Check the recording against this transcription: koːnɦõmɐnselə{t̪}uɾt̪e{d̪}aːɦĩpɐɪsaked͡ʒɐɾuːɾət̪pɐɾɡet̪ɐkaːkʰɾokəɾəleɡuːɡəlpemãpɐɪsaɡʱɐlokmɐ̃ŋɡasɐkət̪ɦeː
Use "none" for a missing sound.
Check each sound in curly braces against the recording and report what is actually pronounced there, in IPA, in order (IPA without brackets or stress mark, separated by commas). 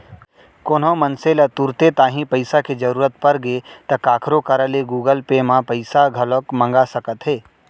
t̪, t̪